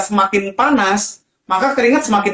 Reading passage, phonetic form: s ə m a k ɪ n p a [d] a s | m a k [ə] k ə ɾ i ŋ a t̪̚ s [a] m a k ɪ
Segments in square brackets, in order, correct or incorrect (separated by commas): incorrect, incorrect, incorrect